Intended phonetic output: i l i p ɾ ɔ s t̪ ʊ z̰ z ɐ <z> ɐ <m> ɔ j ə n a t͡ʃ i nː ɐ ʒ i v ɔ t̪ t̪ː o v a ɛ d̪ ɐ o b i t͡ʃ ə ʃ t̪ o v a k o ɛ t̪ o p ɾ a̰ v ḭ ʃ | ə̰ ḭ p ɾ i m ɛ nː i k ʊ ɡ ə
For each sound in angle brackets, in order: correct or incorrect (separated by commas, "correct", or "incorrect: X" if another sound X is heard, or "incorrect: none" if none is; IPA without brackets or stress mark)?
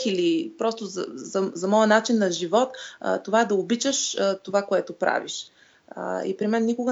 correct, correct